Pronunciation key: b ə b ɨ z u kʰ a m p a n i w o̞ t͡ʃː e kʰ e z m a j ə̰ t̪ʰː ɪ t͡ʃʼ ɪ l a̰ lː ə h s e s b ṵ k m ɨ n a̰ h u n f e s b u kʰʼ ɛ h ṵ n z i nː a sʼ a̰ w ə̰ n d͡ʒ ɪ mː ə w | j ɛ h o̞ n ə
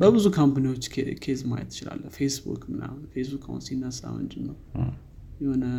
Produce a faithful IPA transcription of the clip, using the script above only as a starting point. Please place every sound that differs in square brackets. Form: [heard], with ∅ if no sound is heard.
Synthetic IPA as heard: b ə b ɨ z u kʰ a m p a n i w o̞ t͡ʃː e kʰ e z m a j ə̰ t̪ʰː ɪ [t͡ʃ] ɪ l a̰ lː ə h [f] e s b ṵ k m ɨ n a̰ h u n f e s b u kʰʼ [a] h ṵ n [s] i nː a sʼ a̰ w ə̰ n d͡ʒ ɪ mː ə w | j ɛ h o̞ n ə